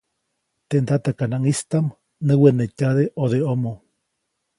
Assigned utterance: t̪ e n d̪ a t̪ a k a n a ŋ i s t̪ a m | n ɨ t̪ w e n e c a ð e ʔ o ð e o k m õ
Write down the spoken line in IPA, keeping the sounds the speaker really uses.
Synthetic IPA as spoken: t̪ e n d̪ a t̪ a k a n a ŋ i s t̪ a m | n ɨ w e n e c a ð e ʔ o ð e o m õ

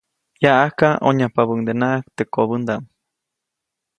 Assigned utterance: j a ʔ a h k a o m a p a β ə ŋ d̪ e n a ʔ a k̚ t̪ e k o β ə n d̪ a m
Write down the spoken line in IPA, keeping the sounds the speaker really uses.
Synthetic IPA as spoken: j a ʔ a h k a o ɲ a p a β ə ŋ d̪ e n a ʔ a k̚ t̪ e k o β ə n d̪ a m

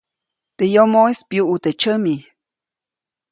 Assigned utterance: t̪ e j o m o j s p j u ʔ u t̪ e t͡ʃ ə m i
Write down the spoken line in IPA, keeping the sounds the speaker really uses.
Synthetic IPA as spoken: t̪ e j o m o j s p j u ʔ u t̪ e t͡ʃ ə m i

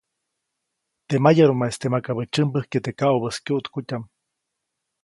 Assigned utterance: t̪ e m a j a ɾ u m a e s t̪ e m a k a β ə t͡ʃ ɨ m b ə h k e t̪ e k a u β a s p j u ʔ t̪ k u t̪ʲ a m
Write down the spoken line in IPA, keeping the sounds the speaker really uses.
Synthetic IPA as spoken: t̪ e m a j a ɾ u m a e s t̪ e m a k a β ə t͡ʃ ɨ m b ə h k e t̪ e k a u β ə s k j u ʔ t̪ k u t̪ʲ a m

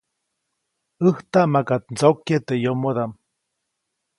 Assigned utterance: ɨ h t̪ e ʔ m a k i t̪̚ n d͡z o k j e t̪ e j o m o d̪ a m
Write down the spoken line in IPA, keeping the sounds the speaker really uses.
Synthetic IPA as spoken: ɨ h t̪ a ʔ m a k a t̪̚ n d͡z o k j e t̪ e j o m o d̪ a m

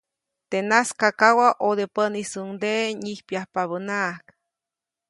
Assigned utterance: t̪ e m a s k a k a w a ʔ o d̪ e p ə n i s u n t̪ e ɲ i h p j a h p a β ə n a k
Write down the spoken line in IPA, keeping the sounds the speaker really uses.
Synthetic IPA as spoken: t̪ e n a s k a k a w a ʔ o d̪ e p ə n i s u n d̪ e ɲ i h p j a h p a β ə n a k

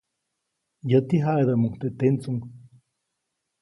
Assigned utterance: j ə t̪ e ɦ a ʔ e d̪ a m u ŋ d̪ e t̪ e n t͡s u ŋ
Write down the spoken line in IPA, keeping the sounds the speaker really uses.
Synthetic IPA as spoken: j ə t̪ i ɦ a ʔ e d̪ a m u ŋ t̪ e t̪ e n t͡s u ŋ

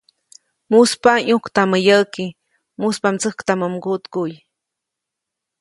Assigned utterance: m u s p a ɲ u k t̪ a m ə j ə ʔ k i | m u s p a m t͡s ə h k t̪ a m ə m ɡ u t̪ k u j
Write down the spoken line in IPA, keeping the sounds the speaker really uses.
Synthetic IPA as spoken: m u s p a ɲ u k t̪ a m ə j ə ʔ k i | m u s p a m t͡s ə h k t̪ a m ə m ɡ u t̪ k u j

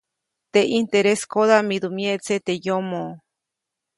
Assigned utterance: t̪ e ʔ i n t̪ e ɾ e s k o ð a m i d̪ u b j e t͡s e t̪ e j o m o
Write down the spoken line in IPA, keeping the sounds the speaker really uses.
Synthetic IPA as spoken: t̪ e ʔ i n t̪ e ɾ e s k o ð a m i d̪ u m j e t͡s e t̪ e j o m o

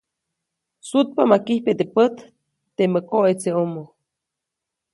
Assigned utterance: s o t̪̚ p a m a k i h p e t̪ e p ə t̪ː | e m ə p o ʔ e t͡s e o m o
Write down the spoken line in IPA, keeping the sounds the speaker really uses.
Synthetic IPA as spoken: s u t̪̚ p a m a k i h p e t̪ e p ə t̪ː | e m ə k o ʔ e t͡s e o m o

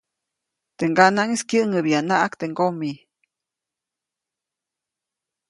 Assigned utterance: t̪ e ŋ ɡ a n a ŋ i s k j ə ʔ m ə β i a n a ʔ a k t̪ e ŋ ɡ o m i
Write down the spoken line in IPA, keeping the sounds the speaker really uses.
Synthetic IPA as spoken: t̪ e ŋ ɡ a n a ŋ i s k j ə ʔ ŋ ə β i a n a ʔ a k t̪ e ŋ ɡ o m i

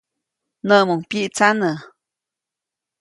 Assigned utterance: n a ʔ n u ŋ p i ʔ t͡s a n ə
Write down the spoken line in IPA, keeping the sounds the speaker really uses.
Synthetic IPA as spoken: n ə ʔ m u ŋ p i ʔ t͡s a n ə

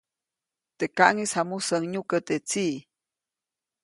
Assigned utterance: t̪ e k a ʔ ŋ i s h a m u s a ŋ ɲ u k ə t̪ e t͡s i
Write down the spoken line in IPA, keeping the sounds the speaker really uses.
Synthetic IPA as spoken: t̪ e k a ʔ ŋ i s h a m u s ə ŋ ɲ u k ə t̪ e t͡s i

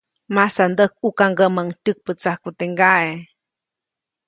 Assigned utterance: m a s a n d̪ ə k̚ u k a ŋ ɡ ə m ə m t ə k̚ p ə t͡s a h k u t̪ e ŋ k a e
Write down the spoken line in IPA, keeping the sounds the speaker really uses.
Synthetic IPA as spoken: m a s a n d̪ ə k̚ u k a ŋ ɡ ə m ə ŋ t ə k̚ p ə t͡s a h k u t̪ e ŋ ɡ a e

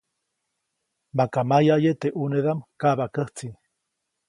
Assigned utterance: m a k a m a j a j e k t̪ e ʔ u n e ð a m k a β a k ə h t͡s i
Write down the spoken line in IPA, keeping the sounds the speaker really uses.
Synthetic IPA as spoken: m a k a m a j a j e t̪ e ʔ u n e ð a m k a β a k ə h t͡s i

